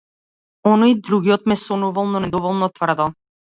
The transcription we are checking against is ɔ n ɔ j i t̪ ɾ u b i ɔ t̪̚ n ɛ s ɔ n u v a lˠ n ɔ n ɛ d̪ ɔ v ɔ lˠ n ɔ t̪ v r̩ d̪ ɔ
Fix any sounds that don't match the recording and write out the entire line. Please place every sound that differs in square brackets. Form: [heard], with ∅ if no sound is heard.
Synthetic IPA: ɔ n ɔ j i [d̪] ɾ u [ɡ] i ɔ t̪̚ [m] ɛ s ɔ n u v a lˠ n ɔ n ɛ d̪ ɔ v ɔ lˠ n ɔ t̪ v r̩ d̪ ɔ